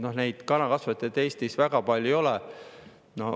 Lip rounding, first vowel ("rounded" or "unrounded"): rounded